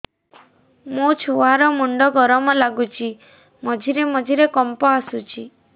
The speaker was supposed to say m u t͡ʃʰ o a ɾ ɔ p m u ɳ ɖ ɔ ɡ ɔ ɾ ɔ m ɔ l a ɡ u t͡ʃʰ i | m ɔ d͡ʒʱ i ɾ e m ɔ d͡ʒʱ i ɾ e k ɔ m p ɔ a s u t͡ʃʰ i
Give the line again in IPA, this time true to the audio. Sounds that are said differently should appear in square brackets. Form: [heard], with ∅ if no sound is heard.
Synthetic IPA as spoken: m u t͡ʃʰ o a ɾ ɔ [∅] m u ɳ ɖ ɔ ɡ ɔ ɾ ɔ m ɔ l a ɡ u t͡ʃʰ i | m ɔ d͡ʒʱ i ɾ e m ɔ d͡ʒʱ i ɾ e k ɔ m p ɔ a s u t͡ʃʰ i